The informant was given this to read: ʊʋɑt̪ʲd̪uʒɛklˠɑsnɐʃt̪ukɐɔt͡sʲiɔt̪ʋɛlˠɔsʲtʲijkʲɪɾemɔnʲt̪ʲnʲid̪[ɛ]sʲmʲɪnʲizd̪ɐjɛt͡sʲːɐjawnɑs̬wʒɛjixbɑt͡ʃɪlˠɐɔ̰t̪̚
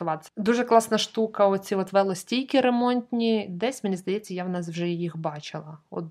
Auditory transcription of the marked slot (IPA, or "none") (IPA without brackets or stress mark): ɛ